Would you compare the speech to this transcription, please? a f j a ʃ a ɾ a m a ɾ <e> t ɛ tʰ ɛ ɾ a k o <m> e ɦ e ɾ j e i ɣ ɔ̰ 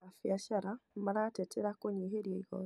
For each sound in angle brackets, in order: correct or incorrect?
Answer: incorrect, incorrect

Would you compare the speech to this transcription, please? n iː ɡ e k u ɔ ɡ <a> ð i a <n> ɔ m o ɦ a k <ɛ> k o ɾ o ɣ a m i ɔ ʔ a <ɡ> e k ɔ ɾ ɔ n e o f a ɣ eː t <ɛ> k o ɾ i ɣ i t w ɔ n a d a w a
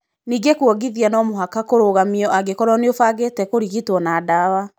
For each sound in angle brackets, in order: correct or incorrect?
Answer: incorrect, correct, incorrect, correct, correct

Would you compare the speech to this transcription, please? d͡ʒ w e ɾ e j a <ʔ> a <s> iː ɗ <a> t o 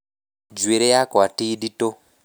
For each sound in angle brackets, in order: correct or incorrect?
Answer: incorrect, incorrect, incorrect

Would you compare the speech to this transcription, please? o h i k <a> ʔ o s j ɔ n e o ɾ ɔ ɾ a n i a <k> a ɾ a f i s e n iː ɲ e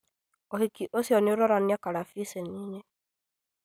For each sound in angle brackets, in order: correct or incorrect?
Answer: incorrect, correct

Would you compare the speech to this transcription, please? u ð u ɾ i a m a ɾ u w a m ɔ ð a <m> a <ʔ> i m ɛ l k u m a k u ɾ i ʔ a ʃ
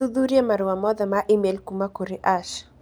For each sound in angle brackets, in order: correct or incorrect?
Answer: correct, correct

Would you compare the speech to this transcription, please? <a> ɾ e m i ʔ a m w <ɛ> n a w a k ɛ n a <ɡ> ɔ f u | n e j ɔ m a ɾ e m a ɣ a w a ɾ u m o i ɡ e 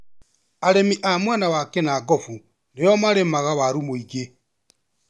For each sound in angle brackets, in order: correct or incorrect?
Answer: correct, incorrect, correct

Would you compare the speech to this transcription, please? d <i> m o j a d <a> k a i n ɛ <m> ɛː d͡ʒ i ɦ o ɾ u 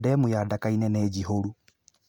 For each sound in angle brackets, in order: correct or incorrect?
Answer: incorrect, correct, incorrect

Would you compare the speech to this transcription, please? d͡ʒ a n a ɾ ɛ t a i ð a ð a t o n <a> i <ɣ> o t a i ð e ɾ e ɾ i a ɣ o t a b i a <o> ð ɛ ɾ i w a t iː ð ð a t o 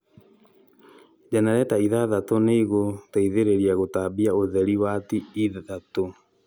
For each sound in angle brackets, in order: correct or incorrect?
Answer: incorrect, correct, correct

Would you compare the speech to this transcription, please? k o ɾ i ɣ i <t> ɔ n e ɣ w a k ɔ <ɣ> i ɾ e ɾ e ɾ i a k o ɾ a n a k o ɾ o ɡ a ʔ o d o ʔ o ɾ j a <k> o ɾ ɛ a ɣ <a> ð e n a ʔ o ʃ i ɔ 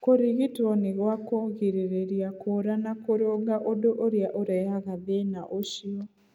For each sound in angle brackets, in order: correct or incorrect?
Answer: correct, correct, incorrect, correct

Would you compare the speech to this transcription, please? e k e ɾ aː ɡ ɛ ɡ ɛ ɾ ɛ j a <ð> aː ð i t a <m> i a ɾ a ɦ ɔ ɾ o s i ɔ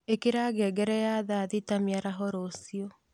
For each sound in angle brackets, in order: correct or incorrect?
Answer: correct, correct

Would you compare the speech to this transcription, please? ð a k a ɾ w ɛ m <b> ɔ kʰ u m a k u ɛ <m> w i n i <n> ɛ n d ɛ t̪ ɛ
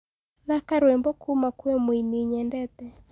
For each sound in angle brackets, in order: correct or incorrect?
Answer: correct, correct, incorrect

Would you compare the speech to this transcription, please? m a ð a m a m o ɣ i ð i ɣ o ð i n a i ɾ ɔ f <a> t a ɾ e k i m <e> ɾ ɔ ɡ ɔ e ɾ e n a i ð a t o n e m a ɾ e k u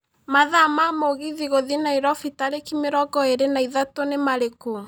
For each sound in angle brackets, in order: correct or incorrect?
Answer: incorrect, correct

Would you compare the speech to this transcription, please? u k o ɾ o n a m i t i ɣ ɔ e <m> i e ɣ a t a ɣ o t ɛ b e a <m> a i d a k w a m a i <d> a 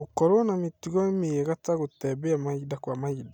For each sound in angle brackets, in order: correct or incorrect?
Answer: correct, correct, correct

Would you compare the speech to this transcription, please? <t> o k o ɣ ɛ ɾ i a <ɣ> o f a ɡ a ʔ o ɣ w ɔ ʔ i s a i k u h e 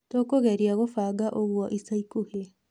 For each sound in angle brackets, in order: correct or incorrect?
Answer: correct, correct

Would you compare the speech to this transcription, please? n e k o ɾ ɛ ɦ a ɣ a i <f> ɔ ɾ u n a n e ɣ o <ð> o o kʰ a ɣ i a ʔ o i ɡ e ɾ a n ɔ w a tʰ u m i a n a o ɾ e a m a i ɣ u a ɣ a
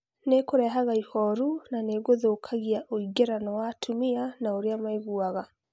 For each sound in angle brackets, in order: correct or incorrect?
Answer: incorrect, correct

